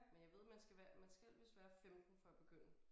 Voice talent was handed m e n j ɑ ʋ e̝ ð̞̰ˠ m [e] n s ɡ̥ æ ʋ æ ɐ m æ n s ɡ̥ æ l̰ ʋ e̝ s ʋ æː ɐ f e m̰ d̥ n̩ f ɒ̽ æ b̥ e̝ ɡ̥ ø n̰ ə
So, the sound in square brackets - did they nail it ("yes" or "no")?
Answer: no